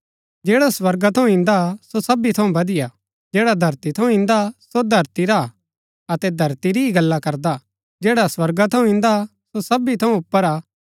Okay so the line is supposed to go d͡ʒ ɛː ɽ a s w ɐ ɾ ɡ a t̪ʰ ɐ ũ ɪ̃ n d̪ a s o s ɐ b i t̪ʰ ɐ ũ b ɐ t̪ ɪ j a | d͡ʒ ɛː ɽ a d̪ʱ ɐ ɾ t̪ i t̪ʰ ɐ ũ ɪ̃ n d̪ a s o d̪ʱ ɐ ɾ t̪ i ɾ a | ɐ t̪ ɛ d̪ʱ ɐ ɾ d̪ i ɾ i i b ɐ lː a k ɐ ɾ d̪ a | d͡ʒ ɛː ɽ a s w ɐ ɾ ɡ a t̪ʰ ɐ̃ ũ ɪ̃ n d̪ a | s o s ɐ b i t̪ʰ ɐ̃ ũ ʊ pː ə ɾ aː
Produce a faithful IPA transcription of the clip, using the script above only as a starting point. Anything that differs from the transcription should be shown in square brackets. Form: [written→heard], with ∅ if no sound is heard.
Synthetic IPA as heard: d͡ʒ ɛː ɽ a s w ɐ ɾ ɡ a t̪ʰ ɐ ũ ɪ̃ n d̪ a s o s ɐ b i t̪ʰ ɐ ũ b ɐ [t̪→d̪] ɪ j a | d͡ʒ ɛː ɽ a d̪ʱ ɐ ɾ t̪ i t̪ʰ ɐ ũ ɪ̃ n d̪ a s o d̪ʱ ɐ ɾ t̪ i ɾ a | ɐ t̪ ɛ d̪ʱ ɐ ɾ [d̪→t̪] i ɾ i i [b→ɡ] ɐ lː a k ɐ ɾ d̪ a | d͡ʒ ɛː ɽ a s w ɐ ɾ ɡ a t̪ʰ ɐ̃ ũ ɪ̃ n d̪ a | s o s ɐ b i t̪ʰ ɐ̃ ũ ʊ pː ə ɾ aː